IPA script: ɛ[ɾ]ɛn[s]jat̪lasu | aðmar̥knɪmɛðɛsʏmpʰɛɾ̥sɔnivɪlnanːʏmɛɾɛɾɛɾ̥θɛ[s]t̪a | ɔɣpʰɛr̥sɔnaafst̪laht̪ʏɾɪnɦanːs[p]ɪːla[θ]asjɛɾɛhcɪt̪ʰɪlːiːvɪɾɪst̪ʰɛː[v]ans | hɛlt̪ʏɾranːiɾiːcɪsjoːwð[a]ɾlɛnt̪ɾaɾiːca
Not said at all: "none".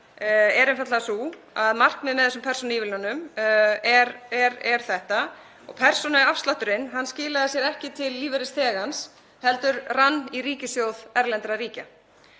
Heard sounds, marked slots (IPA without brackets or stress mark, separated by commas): ɾ, f, h, c, ð, ɣ, ɛ